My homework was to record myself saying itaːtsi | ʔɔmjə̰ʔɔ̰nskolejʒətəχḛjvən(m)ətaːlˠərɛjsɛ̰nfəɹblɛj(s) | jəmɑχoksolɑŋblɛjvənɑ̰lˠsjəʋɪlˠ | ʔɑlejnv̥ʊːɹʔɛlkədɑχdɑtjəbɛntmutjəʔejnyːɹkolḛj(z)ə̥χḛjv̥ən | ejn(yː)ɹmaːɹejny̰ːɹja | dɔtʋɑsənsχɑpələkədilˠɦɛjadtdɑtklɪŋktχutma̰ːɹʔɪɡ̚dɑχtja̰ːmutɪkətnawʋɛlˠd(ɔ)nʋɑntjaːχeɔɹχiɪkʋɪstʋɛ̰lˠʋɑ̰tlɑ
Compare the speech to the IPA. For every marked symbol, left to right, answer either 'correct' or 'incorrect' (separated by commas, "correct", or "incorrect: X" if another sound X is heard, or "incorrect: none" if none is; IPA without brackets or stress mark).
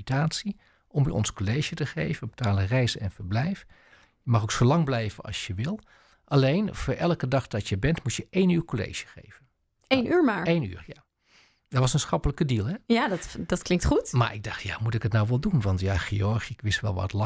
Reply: incorrect: b, incorrect: f, incorrect: ʒ, correct, incorrect: u